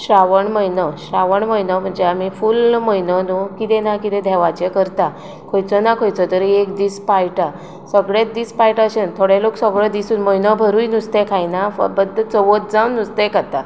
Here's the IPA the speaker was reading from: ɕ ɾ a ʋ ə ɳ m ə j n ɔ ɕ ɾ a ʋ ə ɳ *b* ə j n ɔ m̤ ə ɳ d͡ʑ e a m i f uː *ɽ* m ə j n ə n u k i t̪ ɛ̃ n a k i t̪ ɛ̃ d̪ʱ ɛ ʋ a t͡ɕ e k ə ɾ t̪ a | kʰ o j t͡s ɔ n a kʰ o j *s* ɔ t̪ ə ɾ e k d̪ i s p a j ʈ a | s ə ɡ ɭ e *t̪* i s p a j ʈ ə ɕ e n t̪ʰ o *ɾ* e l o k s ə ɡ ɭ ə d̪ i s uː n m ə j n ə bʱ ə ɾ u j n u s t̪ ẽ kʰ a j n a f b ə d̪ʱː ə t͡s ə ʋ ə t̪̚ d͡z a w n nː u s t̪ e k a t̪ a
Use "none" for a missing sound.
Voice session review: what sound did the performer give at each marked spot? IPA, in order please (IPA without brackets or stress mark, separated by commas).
m, l, t͡s, d̪, ɽ